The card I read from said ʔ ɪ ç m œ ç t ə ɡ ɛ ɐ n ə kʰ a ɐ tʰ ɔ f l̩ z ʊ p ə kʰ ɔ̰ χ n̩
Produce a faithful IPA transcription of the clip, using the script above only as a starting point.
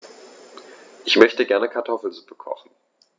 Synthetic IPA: ʔ ɪ ç m œ ç t ə ɡ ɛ ɐ n ə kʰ a ɐ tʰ ɔ f l̩ z u p ə kʰ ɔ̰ χ n̩